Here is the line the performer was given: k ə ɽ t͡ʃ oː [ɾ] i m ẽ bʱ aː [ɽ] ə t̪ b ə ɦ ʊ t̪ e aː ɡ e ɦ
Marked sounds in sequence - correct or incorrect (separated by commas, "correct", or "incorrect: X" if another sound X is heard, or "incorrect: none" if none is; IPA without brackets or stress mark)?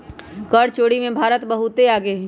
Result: incorrect: ɽ, incorrect: ɾ